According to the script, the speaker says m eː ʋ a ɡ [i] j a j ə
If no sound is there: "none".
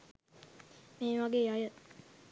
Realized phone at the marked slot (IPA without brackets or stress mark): e